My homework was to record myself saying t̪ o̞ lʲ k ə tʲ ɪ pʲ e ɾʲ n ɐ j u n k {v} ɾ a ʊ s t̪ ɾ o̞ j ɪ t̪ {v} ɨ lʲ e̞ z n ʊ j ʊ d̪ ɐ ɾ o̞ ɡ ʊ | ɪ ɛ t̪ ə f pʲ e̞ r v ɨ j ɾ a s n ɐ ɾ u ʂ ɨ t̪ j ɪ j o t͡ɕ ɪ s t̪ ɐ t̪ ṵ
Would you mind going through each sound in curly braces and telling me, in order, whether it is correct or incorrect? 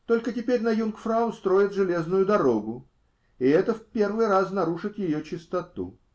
incorrect: f, incorrect: ʐ

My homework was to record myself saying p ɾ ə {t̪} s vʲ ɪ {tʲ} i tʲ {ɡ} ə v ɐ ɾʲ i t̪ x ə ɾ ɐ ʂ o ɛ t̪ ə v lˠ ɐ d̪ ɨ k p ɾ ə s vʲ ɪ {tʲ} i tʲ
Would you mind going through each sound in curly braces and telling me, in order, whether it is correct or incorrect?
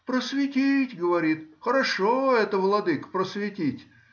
incorrect: none, correct, correct, correct

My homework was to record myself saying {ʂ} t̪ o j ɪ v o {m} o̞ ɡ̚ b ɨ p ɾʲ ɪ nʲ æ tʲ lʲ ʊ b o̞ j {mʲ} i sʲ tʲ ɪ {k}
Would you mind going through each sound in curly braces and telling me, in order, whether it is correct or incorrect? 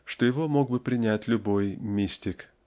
correct, correct, correct, correct

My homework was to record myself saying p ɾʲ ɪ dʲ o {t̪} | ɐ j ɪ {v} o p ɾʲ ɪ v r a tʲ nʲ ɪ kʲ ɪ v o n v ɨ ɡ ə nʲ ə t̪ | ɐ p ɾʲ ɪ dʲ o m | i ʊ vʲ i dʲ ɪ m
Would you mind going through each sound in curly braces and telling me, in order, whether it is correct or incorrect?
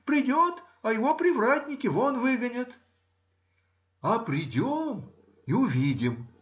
correct, correct

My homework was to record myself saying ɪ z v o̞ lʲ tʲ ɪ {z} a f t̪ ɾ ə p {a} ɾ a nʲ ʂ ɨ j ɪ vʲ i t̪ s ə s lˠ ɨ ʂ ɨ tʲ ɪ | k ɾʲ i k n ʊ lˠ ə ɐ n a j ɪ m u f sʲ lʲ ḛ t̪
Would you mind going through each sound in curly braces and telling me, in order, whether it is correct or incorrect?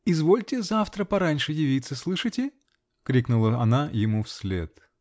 correct, incorrect: ɐ

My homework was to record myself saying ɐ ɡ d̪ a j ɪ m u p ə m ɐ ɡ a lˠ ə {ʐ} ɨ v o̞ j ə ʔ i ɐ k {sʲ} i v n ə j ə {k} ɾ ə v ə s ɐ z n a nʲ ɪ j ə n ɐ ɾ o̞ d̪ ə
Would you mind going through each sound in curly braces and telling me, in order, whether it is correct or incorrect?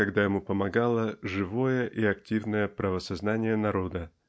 correct, incorrect: tʲ, incorrect: p

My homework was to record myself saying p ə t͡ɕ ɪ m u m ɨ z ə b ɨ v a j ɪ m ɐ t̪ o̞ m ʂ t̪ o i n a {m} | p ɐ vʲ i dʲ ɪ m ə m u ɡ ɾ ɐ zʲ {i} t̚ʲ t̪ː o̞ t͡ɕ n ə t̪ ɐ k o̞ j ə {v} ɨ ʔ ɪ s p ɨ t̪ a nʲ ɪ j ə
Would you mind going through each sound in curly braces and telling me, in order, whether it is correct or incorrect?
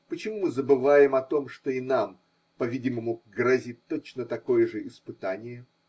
correct, correct, incorrect: ʐ

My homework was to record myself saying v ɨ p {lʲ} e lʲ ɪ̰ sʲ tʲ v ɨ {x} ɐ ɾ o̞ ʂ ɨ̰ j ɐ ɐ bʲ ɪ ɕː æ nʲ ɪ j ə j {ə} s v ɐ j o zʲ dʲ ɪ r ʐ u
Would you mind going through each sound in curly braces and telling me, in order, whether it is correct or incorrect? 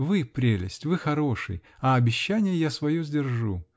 incorrect: ɾʲ, correct, incorrect: a

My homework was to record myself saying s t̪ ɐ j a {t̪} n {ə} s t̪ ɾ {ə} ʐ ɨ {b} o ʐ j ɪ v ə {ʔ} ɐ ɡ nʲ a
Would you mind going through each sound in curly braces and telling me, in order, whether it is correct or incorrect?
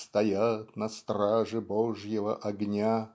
correct, incorrect: ɐ, incorrect: a, correct, correct

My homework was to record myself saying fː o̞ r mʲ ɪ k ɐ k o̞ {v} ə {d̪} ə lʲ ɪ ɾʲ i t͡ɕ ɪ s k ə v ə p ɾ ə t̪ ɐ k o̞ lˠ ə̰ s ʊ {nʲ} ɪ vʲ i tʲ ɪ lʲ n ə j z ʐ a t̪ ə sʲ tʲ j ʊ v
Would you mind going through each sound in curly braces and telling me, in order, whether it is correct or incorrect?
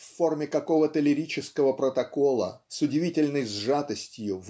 correct, incorrect: t̪, incorrect: dʲ

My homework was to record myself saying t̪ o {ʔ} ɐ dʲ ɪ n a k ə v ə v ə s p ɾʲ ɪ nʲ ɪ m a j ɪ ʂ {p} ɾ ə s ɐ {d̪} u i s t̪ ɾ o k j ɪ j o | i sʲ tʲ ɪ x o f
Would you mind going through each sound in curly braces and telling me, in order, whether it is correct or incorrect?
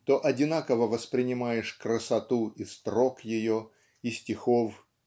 correct, incorrect: k, incorrect: t̪

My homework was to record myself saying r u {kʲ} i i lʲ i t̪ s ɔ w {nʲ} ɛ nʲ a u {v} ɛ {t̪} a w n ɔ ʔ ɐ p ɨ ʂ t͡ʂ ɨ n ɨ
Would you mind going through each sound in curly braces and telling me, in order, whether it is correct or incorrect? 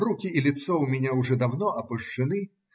correct, incorrect: mʲ, incorrect: ʐ, incorrect: d̪

